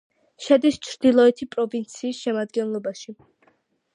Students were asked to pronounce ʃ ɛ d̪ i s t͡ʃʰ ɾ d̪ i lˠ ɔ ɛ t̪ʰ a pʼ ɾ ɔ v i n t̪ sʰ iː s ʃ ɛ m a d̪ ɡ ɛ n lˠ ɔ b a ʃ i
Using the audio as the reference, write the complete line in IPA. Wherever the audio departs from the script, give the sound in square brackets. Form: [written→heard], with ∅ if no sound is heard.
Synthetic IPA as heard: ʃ ɛ d̪ i s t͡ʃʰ ɾ d̪ i lˠ ɔ ɛ t̪ʰ [a→i] pʼ ɾ ɔ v i n t̪ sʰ iː s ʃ ɛ m a d̪ ɡ ɛ n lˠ ɔ b a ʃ i